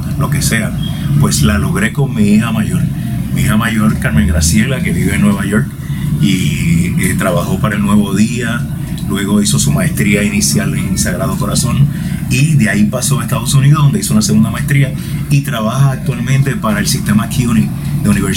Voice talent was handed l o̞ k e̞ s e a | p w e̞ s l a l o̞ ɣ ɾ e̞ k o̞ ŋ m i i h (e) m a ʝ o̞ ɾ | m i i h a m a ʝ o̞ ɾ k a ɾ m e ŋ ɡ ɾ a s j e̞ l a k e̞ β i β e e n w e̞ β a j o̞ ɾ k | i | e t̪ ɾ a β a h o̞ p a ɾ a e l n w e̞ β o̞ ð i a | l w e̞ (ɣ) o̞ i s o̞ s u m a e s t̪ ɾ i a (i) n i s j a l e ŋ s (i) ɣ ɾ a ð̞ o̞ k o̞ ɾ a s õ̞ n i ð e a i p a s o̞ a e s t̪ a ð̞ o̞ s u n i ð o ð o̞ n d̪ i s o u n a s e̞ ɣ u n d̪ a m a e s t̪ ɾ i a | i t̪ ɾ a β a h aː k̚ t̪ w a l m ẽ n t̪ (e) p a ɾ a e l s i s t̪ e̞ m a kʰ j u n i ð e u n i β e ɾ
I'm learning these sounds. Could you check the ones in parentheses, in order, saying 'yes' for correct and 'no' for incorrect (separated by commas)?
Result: no, yes, yes, no, yes